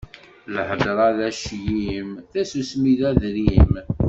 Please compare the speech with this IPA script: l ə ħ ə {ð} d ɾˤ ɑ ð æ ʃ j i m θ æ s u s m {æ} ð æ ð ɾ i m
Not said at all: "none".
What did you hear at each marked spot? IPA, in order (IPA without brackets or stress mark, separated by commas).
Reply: none, i